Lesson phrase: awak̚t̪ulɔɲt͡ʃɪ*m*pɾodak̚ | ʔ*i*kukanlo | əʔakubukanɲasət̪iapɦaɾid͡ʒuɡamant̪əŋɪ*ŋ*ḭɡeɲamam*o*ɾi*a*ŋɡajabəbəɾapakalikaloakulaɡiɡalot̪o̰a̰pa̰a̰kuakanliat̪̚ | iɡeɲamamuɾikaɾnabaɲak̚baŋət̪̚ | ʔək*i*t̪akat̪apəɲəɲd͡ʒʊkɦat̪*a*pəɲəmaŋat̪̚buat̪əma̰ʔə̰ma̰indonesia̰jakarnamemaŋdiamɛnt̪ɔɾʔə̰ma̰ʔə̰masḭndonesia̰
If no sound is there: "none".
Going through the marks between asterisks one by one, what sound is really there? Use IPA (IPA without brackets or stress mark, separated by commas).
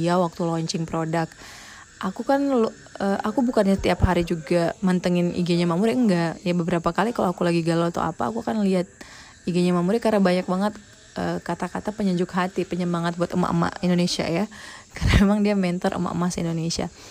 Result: ŋ, a, n, u, ə, a, i